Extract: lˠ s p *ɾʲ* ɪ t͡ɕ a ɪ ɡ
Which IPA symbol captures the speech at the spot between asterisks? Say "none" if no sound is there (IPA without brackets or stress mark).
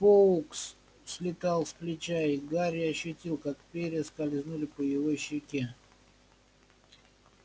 lʲ